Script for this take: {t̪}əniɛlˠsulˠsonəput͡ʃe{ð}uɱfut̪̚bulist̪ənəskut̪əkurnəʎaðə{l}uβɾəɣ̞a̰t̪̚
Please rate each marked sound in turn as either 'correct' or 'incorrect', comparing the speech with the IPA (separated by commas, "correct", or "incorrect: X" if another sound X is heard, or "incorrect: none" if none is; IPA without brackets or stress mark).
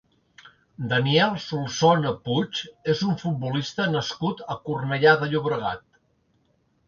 incorrect: d̪, incorrect: z, incorrect: ʎ